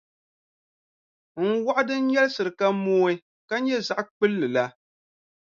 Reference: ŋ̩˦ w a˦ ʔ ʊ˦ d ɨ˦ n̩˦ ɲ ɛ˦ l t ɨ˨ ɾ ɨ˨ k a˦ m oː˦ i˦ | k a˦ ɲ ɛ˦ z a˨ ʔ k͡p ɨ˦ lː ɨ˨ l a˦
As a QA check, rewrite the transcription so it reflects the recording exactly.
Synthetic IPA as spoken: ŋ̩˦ w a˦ ʔ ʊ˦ d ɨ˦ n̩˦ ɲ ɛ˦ l s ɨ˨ ɾ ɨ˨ k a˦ m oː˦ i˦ | k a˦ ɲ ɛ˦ z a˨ ʔ k͡p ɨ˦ lː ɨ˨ l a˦